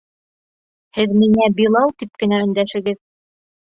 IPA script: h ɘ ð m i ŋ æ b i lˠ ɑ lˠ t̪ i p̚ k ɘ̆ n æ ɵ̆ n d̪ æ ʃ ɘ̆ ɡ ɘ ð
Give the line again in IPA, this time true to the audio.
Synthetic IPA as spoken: h ɘ ð m i ŋ æ b i lˠ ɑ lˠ t̪ i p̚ k ɘ̆ n æ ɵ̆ n d̪ æ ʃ ɘ̆ ɡ ɘ ð